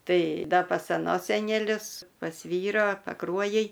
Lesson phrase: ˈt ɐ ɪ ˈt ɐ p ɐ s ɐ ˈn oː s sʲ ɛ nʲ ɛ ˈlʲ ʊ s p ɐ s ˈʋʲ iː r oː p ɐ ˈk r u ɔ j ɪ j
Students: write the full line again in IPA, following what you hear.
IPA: ˈt ɐ ɪ ˈd ɐ p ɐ s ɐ ˈn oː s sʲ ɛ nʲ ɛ ˈlʲ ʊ s p ɐ s ˈʋʲ iː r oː p ɐ ˈk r u ɔ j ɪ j